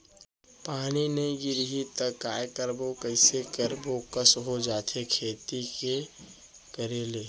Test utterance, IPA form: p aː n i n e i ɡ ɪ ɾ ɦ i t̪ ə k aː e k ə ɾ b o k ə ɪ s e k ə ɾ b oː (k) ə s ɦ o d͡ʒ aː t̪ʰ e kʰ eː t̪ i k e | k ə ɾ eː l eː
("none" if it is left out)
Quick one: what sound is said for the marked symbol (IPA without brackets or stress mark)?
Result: k